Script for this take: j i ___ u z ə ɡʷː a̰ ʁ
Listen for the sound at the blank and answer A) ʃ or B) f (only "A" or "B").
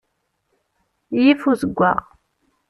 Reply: B